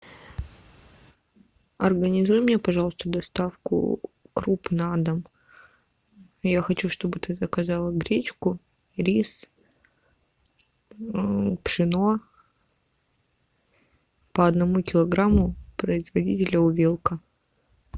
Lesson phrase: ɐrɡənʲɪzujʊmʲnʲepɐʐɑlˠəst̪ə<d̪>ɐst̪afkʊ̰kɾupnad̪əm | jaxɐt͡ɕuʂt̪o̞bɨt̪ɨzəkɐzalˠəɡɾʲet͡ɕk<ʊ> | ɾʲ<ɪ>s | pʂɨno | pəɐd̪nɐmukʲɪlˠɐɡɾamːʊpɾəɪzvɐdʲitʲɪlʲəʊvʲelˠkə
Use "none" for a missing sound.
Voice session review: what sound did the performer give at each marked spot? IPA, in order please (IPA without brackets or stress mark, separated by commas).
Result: d̪, ʊ, i